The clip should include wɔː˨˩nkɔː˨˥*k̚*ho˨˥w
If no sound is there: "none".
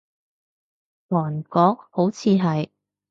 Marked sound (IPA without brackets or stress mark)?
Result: k̚